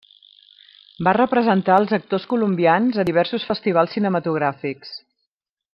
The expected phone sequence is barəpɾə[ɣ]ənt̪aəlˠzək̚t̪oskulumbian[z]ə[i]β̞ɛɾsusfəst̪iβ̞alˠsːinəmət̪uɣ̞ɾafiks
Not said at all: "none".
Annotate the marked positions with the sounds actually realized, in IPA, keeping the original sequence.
z, z, i

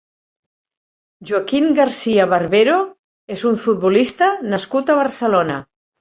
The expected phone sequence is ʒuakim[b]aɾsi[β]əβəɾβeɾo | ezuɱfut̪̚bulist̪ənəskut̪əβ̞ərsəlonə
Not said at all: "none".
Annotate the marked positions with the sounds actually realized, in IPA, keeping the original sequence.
ɡ, none

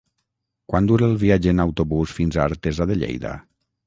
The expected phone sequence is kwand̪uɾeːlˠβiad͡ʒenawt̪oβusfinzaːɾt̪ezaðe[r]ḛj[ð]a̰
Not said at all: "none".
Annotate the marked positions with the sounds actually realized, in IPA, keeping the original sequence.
ʎ, ð

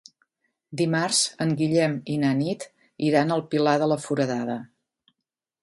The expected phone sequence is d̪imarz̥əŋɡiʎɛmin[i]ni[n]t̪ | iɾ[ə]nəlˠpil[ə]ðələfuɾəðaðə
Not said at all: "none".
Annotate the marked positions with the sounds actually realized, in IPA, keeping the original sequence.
a, none, a, a

